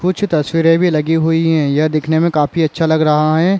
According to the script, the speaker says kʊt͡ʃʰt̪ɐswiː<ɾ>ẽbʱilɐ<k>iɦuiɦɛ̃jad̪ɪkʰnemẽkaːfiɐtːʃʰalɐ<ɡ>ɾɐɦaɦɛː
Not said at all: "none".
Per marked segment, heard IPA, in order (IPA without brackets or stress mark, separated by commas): ɾ, ɡ, ɡ